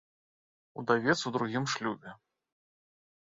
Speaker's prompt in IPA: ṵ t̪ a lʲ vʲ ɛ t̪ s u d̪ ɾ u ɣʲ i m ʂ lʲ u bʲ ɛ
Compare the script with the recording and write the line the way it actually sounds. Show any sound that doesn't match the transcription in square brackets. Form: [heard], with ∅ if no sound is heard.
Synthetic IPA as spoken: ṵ [d̪] a [∅] vʲ ɛ t̪ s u d̪ ɾ u ɣʲ i m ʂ lʲ u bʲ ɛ